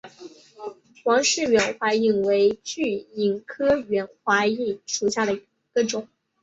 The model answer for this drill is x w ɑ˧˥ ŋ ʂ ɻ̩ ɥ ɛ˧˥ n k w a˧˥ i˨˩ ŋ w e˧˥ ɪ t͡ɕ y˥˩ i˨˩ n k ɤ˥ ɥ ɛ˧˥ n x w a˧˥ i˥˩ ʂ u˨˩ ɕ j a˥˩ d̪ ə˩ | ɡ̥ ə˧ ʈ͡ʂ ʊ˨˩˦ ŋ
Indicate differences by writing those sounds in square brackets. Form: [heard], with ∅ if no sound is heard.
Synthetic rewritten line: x w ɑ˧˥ ŋ ʂ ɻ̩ ɥ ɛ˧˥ n [x] w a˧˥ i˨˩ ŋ w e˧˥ ɪ t͡ɕ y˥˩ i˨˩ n [kʰ] ɤ˥ ɥ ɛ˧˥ n x w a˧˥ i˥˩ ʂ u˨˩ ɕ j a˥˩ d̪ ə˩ | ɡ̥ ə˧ ʈ͡ʂ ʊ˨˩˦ ŋ